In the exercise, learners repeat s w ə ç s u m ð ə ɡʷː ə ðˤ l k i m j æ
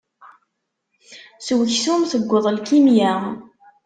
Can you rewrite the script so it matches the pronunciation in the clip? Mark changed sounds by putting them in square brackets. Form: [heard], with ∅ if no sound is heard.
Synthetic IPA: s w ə ç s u m [θ] ə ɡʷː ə ðˤ l k i m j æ